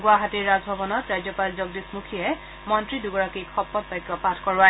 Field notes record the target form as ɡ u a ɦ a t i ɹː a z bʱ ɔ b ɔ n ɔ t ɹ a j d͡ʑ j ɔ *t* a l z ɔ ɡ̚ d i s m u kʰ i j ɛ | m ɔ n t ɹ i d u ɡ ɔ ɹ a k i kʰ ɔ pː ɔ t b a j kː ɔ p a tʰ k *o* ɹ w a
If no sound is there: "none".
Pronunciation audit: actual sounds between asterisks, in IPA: p, ɔ

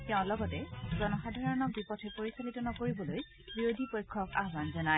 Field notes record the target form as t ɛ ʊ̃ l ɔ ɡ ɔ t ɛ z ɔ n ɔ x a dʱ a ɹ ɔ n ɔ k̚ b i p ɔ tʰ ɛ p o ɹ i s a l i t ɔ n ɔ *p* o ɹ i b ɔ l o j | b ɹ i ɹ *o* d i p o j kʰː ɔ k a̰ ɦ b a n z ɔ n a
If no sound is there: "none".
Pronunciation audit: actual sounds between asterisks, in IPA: k, o

